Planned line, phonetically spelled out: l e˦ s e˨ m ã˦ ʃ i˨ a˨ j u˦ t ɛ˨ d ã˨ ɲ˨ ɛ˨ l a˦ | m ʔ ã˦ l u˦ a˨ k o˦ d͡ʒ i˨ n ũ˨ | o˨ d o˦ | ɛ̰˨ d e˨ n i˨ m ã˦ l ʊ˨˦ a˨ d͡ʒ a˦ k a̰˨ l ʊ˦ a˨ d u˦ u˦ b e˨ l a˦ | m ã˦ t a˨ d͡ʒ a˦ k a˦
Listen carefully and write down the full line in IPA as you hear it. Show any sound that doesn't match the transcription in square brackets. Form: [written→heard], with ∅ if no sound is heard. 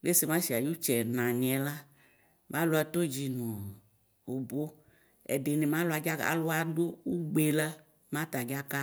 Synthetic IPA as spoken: l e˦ s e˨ m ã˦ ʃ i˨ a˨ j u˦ [t→t͡ʃ] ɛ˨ [d→n] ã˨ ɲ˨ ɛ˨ l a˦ | m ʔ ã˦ l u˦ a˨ [k→t] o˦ d͡ʒ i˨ n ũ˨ | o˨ [d→b] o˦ | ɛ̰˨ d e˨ n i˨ m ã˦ l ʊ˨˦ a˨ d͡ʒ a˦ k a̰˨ l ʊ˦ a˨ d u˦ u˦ [b→ɡ͡b] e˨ l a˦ | m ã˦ t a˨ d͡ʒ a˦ k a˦